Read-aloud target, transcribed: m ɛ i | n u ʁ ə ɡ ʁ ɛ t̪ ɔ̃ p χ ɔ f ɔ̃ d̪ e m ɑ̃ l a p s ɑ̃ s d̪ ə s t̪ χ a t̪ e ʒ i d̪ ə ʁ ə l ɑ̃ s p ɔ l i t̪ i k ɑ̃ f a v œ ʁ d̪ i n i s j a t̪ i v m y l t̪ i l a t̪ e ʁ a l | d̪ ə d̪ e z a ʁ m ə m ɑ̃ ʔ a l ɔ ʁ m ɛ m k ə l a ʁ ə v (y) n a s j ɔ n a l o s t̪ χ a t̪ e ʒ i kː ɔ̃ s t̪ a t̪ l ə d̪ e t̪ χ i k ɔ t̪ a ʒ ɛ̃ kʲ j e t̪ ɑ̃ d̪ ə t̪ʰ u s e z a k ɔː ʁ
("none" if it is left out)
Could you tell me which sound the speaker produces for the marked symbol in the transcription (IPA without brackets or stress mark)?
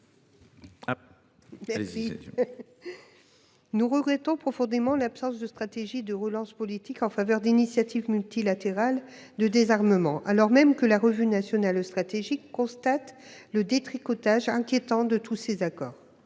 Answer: y